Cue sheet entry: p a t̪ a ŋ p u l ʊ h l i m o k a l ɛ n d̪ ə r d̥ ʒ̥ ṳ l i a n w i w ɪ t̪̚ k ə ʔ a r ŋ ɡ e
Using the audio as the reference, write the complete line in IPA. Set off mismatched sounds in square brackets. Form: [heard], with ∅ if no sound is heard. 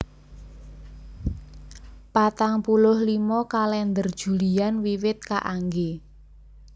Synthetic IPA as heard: p a t̪ a ŋ p u l ʊ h l i m [ɔ] k a l ɛ n d̪ ə r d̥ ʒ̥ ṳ l i a n w i w ɪ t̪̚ k [a] ʔ a [∅] ŋ ɡ e